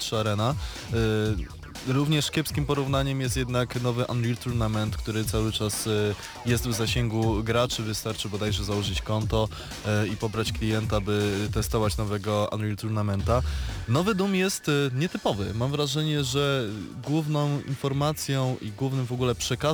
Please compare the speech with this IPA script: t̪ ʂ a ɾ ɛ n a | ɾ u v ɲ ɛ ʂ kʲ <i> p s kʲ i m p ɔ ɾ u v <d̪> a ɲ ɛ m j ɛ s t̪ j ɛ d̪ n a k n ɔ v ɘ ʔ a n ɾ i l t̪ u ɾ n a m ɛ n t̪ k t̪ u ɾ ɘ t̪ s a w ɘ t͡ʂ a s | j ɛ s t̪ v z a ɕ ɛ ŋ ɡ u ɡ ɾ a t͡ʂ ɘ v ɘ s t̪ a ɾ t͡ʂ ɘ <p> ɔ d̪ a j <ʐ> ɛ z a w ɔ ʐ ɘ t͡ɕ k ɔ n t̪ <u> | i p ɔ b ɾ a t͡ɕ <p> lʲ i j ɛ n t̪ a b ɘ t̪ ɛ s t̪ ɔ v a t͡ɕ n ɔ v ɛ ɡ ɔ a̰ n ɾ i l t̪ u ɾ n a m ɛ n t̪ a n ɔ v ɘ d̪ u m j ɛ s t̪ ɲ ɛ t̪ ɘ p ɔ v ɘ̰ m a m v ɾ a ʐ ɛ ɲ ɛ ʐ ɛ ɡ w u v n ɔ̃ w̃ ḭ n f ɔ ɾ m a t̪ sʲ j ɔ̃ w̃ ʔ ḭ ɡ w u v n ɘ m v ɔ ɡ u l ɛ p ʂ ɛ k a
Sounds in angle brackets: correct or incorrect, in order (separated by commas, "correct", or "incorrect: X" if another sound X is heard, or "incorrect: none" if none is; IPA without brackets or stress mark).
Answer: incorrect: ɛ, incorrect: n̪, incorrect: b, correct, incorrect: ɔ, incorrect: k